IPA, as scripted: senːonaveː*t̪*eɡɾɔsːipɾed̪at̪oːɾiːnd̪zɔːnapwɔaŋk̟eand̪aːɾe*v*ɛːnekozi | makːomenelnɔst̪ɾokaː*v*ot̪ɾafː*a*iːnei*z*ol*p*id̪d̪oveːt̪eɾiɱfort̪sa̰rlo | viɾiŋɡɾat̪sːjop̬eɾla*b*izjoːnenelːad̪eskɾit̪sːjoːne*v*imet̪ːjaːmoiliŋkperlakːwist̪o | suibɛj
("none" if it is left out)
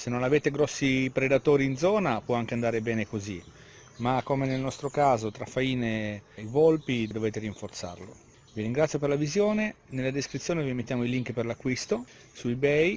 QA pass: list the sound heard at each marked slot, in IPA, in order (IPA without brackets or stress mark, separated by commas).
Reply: t̪, b, z, a, v, p, v, v